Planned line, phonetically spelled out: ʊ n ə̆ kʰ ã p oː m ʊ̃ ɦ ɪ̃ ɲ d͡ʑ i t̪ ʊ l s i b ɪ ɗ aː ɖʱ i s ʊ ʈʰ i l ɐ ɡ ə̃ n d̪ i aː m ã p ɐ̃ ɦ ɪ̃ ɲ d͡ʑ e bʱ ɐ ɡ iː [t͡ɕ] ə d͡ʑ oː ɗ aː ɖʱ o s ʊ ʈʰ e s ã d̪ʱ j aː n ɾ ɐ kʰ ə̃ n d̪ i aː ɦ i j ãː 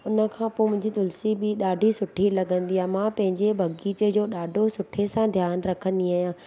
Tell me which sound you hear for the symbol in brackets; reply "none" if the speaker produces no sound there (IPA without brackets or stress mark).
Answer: t͡ɕ